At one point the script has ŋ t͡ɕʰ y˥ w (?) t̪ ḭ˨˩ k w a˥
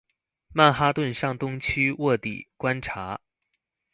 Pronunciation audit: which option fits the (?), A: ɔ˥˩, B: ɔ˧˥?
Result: A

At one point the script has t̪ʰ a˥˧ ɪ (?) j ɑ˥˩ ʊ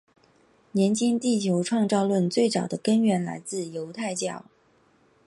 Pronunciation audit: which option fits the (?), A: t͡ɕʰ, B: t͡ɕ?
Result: B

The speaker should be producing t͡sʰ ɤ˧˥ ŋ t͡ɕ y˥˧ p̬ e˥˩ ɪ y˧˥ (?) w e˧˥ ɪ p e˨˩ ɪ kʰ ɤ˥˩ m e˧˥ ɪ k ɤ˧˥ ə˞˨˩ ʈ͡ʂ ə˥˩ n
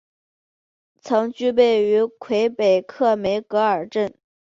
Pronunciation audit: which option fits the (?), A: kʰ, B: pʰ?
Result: A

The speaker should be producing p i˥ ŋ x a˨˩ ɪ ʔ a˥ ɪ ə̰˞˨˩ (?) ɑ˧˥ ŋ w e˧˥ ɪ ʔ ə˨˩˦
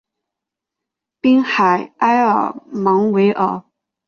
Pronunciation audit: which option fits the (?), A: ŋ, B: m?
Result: B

